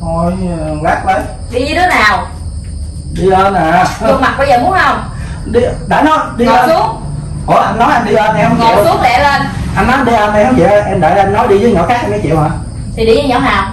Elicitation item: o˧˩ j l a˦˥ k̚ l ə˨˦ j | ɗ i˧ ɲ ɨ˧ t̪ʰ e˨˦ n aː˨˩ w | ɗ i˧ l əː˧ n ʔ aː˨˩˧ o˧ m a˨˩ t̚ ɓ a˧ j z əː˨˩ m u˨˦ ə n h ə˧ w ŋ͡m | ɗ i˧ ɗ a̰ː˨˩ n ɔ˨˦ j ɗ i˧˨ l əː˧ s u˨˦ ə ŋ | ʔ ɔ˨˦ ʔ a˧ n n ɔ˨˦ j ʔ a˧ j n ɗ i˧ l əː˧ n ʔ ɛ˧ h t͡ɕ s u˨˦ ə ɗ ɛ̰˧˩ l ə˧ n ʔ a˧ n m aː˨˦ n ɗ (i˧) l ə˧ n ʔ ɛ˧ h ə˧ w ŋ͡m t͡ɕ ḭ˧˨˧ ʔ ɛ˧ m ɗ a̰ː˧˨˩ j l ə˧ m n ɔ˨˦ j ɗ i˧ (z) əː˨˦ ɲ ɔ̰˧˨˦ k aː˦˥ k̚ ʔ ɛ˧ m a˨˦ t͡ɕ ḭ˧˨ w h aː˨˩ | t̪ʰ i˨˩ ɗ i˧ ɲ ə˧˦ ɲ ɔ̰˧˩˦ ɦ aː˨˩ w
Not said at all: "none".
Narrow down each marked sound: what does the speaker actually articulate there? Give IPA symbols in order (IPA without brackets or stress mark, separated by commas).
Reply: i˧, z